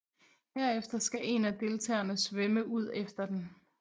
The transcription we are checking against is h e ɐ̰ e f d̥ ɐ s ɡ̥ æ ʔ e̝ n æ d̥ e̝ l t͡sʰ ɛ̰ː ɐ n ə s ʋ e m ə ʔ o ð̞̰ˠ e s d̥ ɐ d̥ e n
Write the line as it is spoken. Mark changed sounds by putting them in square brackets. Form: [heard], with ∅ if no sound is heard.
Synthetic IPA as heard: h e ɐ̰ e f d̥ ɐ s ɡ̥ æ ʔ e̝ n æ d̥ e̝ l t͡sʰ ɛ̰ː ɐ n ə s ʋ e m ə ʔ [u] ð̞̰ˠ e [f] d̥ ɐ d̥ e n